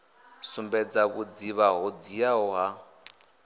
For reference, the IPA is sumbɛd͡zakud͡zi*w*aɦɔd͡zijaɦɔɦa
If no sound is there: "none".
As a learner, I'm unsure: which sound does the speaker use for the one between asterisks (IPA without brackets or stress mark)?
β